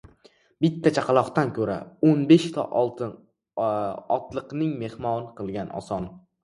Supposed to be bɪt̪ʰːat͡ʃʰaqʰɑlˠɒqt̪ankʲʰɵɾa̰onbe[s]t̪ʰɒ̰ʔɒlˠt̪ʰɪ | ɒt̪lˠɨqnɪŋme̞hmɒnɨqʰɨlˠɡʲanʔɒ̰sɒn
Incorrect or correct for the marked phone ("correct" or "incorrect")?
incorrect